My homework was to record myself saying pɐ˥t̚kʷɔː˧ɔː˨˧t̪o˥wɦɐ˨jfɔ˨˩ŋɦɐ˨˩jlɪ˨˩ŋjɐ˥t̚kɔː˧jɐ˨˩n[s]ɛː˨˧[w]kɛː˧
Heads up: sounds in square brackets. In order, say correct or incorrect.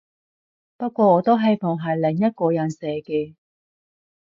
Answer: correct, incorrect: none

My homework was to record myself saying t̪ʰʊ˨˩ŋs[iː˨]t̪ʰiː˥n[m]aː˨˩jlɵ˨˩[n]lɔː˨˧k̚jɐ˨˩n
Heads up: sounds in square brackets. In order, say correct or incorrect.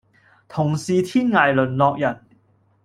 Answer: correct, incorrect: ŋ, correct

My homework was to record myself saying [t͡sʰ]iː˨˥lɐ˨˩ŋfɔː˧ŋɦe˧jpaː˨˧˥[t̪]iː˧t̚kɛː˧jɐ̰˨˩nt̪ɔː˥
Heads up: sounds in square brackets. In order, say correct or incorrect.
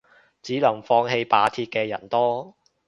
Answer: incorrect: t͡s, incorrect: t̪ʰ

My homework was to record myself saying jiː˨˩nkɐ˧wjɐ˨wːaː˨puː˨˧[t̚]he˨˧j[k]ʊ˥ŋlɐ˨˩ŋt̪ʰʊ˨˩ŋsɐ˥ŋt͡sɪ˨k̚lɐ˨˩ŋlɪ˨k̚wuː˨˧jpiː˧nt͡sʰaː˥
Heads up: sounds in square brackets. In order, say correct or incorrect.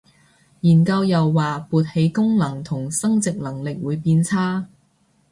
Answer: correct, correct

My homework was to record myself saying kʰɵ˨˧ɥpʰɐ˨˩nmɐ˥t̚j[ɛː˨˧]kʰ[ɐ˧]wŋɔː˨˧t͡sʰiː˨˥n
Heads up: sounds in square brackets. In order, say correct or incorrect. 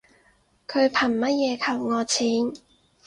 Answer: correct, incorrect: ɐ˨˩

